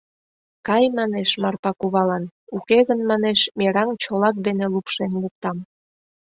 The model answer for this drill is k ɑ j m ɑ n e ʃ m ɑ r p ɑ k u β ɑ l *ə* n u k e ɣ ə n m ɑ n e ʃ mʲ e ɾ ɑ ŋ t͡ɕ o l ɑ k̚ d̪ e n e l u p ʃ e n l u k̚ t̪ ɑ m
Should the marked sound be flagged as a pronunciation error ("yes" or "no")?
yes